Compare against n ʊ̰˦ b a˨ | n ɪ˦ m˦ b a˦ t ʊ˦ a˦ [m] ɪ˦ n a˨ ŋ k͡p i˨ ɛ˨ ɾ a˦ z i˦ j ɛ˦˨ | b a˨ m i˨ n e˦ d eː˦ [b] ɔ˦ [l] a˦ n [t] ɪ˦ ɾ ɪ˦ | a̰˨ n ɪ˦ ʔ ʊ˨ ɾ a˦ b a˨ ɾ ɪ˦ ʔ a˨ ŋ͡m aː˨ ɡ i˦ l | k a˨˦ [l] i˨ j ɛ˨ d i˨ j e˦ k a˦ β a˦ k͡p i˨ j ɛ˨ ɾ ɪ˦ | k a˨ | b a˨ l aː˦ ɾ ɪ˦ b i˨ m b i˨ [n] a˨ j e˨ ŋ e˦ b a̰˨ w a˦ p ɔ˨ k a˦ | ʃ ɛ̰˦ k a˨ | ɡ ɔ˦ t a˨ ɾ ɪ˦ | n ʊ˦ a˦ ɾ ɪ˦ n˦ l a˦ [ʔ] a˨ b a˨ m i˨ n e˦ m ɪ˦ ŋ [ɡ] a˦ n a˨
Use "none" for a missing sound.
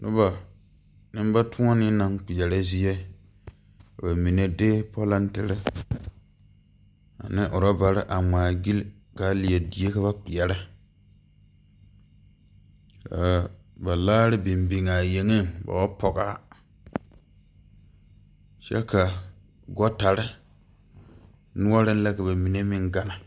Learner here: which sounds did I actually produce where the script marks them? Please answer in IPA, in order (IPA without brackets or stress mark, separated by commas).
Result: n, p, l, t, l, ŋ, k, ɡ